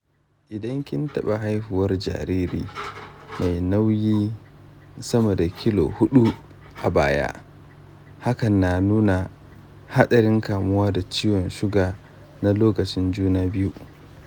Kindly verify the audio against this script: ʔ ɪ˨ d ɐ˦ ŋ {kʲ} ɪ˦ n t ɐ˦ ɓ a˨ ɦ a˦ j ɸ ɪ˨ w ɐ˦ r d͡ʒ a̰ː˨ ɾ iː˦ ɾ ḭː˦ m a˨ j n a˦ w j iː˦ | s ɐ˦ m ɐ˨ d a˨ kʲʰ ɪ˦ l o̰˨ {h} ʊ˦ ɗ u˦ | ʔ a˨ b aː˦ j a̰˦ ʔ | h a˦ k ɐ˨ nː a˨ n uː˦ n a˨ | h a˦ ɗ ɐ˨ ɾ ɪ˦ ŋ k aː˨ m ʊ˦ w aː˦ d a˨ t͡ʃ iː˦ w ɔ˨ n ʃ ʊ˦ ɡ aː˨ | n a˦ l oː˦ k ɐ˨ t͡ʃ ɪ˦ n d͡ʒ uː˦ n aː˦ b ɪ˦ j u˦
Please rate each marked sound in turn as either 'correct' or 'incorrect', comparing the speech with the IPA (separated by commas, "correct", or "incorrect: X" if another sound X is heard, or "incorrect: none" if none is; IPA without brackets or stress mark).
correct, correct